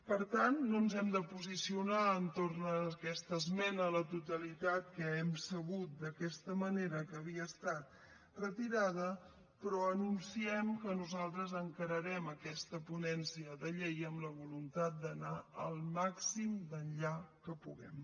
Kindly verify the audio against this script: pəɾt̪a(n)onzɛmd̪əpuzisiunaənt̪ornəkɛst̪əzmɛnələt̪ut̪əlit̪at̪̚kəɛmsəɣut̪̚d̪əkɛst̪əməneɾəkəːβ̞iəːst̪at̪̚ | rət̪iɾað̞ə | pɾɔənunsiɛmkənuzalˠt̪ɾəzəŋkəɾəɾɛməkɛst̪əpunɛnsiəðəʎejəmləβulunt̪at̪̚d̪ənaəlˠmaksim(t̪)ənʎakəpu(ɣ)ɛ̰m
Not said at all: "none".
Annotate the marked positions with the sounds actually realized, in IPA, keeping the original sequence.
nː, d̪, ɣ

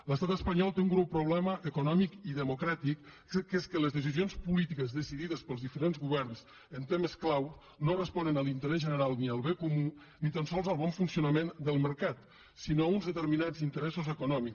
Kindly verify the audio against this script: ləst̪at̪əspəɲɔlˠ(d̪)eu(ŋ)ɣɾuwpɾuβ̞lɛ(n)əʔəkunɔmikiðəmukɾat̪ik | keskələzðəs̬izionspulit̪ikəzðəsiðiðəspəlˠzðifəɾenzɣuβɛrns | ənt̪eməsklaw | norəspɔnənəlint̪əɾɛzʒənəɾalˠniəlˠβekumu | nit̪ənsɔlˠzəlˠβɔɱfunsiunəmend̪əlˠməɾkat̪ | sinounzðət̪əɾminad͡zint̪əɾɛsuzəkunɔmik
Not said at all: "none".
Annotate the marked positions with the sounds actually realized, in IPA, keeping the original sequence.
t̪, ŋ, m

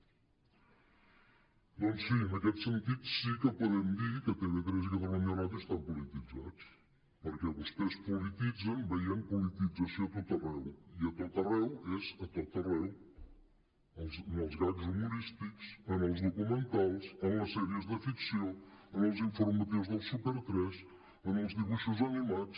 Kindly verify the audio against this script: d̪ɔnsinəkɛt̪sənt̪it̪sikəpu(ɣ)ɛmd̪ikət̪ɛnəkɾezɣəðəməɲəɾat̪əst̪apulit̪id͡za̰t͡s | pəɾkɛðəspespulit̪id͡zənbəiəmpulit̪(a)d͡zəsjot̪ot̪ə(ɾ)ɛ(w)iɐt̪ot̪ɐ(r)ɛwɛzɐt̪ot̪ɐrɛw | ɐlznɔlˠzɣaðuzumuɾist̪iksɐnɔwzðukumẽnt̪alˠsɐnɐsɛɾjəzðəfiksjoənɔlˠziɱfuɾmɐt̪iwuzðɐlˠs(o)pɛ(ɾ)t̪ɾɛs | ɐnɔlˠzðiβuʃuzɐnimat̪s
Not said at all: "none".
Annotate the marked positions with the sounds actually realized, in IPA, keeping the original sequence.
ð, i, r, w, r, u, ɾ

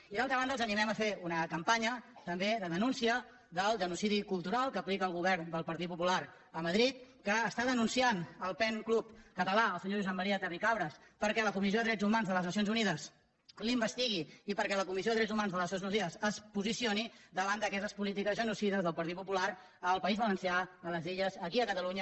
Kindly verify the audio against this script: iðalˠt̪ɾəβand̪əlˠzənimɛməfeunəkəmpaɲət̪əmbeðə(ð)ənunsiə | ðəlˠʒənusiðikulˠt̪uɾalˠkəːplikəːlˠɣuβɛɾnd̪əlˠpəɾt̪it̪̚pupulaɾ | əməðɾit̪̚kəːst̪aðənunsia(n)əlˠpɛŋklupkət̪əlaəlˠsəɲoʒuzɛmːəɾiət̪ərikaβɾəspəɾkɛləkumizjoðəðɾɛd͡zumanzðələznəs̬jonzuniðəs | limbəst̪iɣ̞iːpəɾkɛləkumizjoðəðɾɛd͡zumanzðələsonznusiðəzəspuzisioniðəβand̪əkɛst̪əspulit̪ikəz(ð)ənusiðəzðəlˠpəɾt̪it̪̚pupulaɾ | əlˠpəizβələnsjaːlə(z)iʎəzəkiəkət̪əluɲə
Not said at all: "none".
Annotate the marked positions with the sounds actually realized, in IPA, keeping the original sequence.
ð, n, ʒ, z

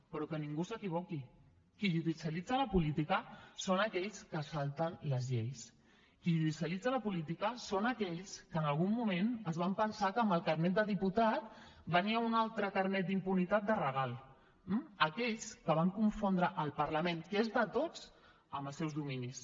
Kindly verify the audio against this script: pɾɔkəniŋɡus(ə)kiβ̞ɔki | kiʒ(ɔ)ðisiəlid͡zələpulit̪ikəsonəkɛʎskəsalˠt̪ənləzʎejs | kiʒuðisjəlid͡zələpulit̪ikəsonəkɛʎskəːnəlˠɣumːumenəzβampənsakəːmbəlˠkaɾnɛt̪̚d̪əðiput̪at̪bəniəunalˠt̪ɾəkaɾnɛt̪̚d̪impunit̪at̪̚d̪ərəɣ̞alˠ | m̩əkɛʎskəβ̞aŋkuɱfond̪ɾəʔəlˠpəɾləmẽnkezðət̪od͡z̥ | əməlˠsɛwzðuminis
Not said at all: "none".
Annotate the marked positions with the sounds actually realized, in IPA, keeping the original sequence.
ə, u

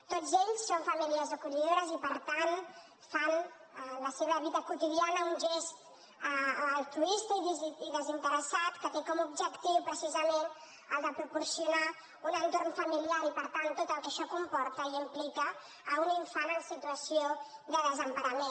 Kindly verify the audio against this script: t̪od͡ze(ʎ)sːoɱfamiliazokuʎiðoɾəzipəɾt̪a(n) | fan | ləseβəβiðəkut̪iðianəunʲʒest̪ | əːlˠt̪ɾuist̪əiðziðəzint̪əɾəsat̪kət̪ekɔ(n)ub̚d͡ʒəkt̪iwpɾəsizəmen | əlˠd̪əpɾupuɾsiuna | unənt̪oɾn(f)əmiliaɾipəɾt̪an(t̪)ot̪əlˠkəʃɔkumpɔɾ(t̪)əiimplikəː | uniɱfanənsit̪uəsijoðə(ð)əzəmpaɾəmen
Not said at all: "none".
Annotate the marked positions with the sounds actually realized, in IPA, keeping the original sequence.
ʎ, n, m, f, t̪, t̪, ð

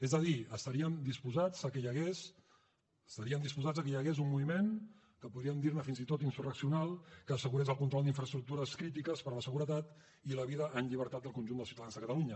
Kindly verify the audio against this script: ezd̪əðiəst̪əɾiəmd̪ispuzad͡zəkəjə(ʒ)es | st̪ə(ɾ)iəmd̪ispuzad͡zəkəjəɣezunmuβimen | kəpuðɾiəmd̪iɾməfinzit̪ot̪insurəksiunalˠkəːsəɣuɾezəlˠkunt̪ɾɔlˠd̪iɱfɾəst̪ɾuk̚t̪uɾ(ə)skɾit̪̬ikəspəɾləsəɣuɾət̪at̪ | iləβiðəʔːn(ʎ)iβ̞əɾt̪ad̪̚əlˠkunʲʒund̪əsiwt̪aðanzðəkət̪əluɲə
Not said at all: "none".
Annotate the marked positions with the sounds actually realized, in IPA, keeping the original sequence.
ɣ, ɾ, ə, ʎ

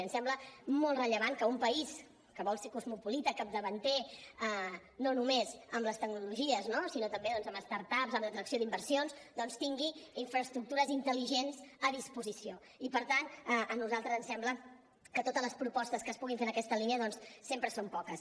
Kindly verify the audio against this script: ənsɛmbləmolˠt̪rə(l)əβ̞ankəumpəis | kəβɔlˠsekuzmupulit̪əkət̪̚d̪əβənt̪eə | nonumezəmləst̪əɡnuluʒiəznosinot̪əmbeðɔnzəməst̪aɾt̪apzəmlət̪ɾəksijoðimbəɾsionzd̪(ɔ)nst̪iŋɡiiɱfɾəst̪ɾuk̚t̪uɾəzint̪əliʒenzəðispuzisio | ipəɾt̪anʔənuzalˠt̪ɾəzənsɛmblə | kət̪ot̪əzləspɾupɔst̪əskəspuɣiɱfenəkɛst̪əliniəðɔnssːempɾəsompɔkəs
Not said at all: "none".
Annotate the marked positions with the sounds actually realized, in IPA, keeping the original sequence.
ʎ, ɔ

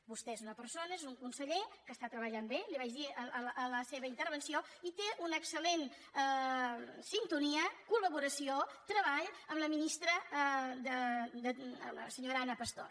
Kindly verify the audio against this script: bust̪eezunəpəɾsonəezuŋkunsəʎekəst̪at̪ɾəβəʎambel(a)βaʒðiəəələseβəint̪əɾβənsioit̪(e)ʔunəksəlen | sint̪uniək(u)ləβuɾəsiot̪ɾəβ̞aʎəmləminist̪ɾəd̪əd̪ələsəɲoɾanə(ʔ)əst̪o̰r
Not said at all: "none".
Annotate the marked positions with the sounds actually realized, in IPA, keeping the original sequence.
i, e, u, p

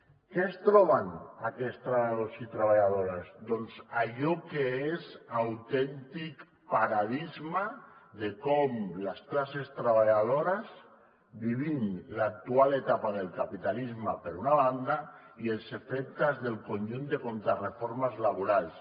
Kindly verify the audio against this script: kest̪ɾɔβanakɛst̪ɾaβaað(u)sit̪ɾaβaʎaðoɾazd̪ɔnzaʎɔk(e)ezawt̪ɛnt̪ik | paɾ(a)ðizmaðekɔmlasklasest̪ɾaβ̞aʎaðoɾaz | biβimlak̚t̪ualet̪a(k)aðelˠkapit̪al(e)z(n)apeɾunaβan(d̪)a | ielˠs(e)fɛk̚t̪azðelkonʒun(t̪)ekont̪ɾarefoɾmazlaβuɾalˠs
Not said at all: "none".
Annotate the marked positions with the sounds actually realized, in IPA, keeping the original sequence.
o, e, a, p, i, m, d̪, e, d̪

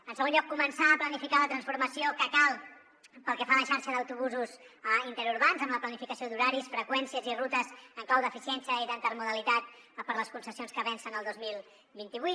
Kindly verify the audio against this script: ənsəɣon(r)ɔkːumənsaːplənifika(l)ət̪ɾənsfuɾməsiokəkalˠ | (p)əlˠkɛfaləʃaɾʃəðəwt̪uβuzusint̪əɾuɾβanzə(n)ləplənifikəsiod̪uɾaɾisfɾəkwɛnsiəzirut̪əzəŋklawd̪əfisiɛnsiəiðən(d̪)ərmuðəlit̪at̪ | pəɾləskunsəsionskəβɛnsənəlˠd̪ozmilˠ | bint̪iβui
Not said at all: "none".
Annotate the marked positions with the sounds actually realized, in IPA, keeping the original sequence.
ʎ, l, p, m, t̪

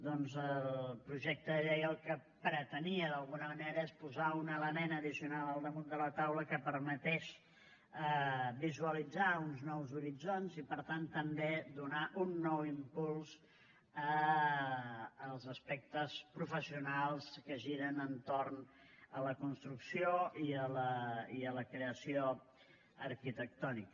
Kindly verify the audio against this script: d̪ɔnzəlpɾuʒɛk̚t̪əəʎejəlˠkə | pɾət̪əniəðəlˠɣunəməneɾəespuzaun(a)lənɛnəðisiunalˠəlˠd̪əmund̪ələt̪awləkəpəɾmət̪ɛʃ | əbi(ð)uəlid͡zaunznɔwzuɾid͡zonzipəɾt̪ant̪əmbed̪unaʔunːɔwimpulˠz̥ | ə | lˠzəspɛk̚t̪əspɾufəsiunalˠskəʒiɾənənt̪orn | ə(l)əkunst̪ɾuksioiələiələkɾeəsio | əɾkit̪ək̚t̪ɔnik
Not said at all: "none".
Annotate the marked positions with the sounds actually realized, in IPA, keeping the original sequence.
ə, z, l

